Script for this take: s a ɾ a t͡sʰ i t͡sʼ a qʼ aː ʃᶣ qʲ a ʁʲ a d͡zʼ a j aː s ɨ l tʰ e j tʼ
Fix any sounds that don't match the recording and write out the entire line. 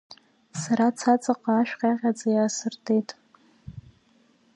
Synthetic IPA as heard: s a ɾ a t͡sʰ a t͡sʼ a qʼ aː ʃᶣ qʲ a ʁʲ a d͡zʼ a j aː s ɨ r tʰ e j tʼ